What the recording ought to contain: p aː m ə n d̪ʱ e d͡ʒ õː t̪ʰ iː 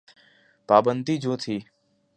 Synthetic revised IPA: p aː b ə n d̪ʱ i d͡ʒ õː t̪ʰ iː